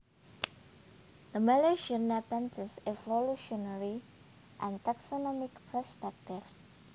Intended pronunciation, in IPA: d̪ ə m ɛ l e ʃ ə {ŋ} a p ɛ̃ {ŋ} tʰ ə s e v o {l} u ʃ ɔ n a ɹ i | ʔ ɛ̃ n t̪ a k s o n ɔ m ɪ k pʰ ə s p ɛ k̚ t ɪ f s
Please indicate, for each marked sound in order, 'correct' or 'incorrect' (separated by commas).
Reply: incorrect, incorrect, correct